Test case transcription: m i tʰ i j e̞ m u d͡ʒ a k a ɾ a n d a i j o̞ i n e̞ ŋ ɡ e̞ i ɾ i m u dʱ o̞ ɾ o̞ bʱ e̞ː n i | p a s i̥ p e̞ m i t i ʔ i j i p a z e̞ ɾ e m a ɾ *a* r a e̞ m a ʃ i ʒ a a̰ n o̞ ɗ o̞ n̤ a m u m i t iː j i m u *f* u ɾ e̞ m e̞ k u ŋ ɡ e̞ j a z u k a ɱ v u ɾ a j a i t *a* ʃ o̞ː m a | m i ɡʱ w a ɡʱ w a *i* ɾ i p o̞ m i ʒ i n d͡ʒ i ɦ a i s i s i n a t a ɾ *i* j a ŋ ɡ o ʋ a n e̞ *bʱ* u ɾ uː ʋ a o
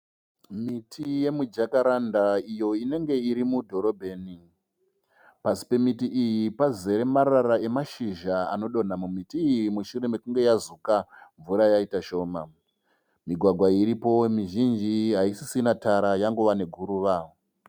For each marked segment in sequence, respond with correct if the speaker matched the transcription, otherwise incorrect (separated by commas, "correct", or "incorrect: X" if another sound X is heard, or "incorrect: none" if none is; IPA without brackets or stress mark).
correct, incorrect: ʃ, correct, correct, incorrect: a, incorrect: ɡʱ